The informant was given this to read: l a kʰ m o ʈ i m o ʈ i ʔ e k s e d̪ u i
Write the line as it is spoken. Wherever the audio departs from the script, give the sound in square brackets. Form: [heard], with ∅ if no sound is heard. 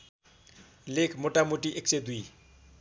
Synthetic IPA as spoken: l [e] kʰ m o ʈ [a] m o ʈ i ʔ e k s e d̪ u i